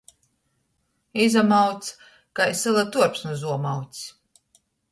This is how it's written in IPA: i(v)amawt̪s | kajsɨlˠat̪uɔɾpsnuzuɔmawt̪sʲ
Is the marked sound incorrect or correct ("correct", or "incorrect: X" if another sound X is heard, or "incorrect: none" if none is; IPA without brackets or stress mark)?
incorrect: z